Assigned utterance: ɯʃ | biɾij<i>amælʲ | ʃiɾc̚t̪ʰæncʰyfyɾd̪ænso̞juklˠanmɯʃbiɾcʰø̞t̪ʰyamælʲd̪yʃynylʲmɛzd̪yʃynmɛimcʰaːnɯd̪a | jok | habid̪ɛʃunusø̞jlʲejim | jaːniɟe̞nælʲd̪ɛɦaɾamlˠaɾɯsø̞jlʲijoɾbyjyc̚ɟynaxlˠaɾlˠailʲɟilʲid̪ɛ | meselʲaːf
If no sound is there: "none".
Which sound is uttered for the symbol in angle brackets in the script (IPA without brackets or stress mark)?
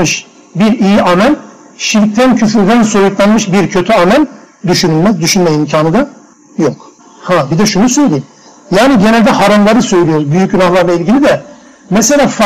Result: i